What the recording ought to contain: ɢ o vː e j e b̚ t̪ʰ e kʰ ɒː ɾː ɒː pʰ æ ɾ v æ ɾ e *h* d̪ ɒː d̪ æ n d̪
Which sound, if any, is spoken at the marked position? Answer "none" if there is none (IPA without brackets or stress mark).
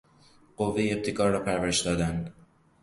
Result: ʃ